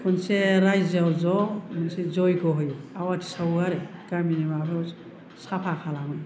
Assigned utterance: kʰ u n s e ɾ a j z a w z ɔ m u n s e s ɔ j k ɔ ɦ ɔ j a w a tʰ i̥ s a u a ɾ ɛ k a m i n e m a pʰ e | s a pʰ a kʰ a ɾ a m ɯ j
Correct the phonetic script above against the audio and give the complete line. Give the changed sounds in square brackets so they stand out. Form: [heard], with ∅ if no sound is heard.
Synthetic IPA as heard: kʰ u n s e ɾ a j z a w z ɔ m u n s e [z] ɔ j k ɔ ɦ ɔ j a w a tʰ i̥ s a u a ɾ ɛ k a m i n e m a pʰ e | s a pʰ a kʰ a [l] a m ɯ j